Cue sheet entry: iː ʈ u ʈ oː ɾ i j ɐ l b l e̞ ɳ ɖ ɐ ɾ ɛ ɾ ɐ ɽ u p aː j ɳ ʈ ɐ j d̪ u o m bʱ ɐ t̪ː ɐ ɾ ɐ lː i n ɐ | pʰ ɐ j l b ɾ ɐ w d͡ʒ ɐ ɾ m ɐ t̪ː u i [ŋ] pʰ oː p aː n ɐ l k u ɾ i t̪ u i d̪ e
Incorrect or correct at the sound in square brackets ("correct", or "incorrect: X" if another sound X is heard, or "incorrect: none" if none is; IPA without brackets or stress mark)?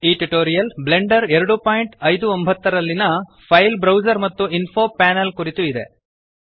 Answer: incorrect: n